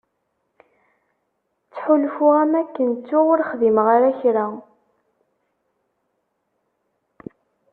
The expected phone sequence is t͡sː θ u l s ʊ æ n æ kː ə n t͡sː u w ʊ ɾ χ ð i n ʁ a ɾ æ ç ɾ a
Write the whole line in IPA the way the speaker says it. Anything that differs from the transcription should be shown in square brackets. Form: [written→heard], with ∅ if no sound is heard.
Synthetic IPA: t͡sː [θ→ħ] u l [s→f] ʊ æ [n→m] æ kː ə n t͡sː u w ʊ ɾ χ ð i [n→m] ʁ a ɾ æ ç ɾ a